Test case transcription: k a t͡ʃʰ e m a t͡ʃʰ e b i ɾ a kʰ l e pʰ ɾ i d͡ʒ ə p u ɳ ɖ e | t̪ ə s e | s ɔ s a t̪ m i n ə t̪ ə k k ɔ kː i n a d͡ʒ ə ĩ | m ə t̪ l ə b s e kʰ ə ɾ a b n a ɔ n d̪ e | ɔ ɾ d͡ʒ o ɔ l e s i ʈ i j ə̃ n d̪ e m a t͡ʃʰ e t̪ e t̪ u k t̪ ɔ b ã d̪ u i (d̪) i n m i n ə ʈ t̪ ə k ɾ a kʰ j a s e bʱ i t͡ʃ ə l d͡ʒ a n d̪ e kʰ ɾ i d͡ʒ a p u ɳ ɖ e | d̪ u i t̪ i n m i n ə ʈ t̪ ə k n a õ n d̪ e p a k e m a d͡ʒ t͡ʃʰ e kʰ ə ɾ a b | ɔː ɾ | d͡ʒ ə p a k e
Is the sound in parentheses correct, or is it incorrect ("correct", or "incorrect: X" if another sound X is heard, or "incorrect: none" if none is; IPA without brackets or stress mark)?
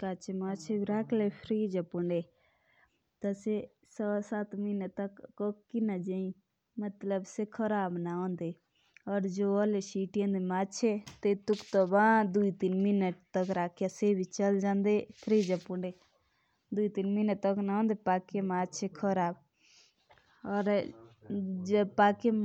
incorrect: t̪